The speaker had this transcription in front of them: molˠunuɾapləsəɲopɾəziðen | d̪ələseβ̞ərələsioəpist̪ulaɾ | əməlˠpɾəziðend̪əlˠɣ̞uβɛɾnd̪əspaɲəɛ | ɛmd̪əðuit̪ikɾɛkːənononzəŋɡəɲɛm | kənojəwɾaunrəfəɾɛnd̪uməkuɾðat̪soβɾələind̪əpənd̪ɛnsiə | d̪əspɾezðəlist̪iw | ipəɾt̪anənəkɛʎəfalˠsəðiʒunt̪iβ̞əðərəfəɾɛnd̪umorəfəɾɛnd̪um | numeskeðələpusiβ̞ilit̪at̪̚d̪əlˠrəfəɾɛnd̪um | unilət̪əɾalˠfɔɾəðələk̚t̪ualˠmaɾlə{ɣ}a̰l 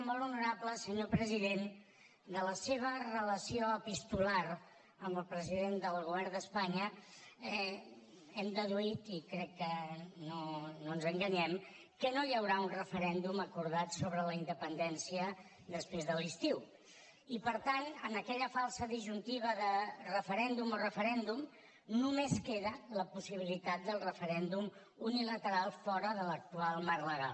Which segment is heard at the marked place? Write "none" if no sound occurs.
ɣ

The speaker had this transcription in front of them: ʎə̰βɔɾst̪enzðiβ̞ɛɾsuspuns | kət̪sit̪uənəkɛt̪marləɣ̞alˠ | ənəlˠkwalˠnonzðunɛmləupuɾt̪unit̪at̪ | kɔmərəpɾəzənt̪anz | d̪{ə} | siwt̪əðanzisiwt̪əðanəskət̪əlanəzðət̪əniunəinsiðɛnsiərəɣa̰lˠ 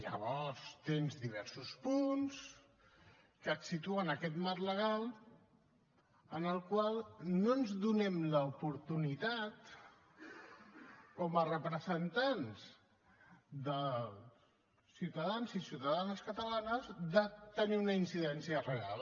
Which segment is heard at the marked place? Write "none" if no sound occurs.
ə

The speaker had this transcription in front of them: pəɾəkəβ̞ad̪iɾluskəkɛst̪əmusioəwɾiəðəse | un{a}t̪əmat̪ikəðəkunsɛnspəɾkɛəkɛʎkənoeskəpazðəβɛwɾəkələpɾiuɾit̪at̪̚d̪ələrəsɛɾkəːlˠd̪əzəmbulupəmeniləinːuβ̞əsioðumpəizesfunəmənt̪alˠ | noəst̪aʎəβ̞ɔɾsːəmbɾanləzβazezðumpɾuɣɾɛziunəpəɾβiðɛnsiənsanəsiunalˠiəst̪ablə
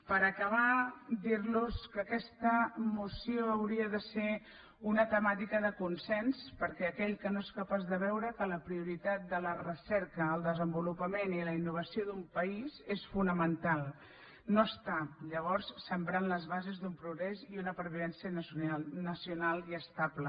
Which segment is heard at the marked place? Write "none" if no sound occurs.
ə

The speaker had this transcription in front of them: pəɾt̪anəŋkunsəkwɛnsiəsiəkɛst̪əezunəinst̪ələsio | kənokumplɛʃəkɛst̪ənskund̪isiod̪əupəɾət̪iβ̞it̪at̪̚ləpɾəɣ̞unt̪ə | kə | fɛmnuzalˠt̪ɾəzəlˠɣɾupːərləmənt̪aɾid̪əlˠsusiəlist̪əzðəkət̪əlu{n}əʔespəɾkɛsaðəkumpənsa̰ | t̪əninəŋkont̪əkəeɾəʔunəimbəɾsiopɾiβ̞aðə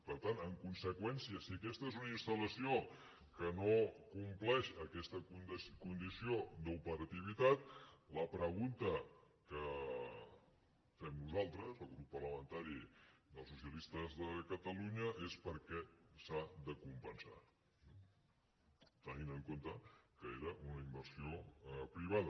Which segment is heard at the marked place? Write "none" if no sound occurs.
ɲ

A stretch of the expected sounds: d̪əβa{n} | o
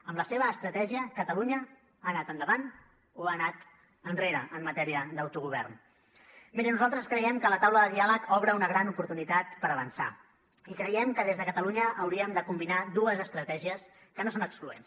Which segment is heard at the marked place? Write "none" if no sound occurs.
n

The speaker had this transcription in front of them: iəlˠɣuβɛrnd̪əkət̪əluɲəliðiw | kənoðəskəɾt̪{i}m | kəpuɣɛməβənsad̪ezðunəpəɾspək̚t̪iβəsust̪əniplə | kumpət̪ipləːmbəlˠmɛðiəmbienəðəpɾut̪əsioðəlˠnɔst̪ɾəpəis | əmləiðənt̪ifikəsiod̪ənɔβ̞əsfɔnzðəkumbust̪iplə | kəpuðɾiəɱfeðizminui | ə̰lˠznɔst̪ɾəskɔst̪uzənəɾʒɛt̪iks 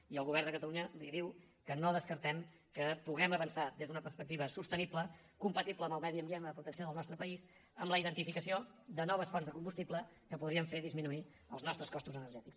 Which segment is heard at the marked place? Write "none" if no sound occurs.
ɛ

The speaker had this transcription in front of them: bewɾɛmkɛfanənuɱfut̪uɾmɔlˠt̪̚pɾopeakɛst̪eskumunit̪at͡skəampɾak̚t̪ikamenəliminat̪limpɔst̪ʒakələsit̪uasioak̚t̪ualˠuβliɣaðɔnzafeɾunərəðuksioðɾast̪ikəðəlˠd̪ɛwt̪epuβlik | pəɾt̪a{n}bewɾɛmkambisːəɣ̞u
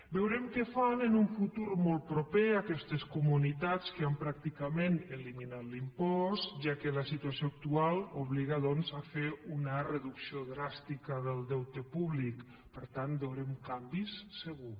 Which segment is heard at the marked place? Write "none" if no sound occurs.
n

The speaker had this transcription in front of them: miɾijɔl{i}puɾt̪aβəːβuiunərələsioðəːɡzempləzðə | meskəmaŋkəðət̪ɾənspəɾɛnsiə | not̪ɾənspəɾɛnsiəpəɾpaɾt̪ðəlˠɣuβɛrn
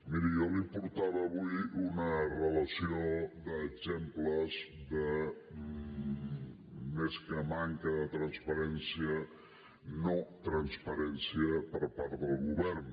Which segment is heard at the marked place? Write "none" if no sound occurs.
i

